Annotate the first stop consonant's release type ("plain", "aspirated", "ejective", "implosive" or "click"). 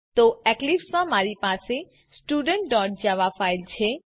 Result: plain